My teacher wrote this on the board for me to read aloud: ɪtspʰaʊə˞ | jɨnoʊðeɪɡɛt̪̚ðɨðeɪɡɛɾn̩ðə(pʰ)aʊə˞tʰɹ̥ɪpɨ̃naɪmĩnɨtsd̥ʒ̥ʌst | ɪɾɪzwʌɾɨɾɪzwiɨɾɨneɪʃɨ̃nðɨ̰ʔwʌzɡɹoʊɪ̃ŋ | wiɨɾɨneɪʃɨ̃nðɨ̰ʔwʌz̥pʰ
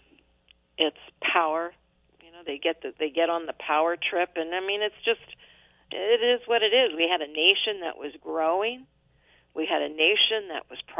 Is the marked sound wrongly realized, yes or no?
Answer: no